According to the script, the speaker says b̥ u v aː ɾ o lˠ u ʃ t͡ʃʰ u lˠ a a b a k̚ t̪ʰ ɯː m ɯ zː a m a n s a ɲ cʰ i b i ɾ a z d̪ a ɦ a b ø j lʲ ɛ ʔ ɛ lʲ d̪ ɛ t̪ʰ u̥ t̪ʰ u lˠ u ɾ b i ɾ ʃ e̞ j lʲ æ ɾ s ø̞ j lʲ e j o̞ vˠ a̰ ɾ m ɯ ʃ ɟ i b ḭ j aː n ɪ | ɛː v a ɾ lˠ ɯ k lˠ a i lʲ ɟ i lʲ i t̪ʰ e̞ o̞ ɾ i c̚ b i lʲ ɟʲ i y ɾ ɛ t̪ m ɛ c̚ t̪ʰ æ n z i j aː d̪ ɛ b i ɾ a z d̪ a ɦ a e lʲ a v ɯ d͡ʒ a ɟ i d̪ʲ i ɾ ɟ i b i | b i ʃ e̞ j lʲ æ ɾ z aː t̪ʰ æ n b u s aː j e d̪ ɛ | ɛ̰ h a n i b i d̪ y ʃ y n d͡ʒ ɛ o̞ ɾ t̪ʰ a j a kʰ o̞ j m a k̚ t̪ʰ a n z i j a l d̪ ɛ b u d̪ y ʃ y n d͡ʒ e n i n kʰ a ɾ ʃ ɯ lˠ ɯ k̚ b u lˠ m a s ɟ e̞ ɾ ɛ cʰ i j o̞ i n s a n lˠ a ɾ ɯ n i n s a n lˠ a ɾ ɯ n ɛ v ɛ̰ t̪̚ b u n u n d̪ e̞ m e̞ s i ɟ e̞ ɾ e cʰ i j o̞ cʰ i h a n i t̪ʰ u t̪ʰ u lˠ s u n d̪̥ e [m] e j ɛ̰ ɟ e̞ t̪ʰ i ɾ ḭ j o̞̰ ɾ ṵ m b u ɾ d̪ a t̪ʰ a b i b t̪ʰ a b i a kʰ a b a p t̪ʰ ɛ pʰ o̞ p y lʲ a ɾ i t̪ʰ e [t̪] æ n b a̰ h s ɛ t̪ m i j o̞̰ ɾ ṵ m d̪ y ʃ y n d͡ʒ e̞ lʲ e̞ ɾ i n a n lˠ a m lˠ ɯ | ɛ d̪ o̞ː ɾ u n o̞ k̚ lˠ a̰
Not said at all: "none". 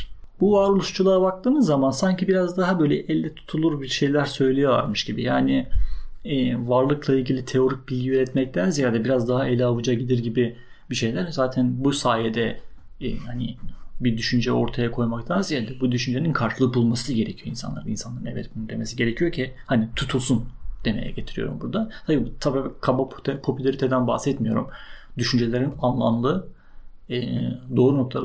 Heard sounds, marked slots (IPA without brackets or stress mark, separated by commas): m, d̪